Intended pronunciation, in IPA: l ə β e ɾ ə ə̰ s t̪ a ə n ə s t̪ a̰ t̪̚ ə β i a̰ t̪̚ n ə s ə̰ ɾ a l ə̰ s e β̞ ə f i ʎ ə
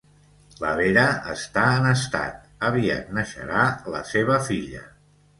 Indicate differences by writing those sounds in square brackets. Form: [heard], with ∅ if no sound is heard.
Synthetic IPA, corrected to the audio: l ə β e ɾ ə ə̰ s t̪ a ə n ə s t̪ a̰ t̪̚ ə β i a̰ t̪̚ n ə [ʃ] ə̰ ɾ a l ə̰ s e β̞ ə f i ʎ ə